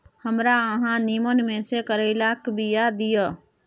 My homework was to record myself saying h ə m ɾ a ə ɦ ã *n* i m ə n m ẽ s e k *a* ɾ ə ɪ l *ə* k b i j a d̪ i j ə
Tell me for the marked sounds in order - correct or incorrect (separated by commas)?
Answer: correct, incorrect, incorrect